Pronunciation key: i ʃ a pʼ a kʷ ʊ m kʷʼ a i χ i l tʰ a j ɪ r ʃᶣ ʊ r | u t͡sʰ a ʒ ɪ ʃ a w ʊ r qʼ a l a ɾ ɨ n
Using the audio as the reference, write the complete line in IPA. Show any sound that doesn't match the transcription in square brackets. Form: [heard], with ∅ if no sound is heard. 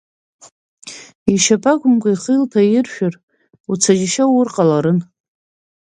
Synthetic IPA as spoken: i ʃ a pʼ a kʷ ʊ m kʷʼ a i χ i l tʰ a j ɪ r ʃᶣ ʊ r | u t͡sʰ a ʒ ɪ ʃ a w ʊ r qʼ a l a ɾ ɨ n